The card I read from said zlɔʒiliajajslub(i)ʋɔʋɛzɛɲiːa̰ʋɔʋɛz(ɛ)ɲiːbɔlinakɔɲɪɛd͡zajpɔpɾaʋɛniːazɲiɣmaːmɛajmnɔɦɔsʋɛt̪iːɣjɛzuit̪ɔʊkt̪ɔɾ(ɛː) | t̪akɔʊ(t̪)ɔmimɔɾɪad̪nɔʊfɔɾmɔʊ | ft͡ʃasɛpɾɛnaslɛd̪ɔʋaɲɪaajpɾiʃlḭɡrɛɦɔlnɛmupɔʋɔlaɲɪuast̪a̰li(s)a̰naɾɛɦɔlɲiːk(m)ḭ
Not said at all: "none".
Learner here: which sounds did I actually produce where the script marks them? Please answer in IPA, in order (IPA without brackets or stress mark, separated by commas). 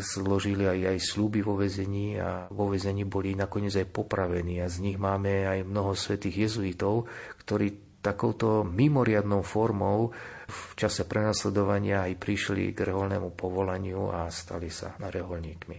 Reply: i, ɛ, iː, t̪, s, m